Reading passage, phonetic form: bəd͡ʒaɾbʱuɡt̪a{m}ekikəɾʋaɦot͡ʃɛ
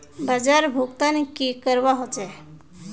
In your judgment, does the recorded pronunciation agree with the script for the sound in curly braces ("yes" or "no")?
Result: no